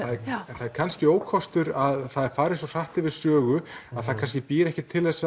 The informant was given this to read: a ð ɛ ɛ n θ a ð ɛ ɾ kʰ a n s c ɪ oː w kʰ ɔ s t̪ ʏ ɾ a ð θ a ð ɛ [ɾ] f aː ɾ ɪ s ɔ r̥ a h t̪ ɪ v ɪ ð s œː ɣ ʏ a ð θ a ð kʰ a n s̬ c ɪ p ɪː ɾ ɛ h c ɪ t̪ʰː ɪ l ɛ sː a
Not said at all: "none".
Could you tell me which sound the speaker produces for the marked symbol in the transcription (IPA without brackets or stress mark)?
ɾ